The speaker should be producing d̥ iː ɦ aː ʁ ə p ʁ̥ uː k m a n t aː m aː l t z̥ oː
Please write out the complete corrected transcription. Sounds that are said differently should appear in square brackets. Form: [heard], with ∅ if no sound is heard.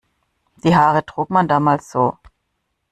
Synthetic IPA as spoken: d̥ iː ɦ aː ʁ ə [t] ʁ̥ uː k m a n [d] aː m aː l [s] z̥ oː